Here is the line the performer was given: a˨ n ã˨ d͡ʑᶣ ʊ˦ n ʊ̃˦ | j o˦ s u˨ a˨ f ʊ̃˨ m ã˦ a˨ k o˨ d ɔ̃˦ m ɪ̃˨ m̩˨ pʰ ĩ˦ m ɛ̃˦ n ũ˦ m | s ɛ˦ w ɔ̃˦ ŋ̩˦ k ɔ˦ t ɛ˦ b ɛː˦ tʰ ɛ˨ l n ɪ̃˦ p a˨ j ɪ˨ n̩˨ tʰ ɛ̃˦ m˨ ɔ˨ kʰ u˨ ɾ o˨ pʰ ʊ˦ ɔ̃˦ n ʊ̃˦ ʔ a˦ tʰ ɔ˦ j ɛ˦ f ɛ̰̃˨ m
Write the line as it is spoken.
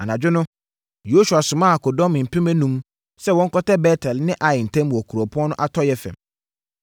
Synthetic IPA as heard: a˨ n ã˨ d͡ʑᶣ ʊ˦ n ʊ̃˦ | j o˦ s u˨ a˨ s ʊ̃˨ m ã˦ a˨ k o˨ d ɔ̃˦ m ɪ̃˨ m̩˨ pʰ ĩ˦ m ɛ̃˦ n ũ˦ m | s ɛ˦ w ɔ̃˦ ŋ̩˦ k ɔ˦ t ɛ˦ b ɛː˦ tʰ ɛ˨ l n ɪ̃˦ ʔ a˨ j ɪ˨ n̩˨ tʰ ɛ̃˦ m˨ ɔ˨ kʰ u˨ ɾ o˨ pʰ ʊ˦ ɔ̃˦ n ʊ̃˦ ʔ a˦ tʰ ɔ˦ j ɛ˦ f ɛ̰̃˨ m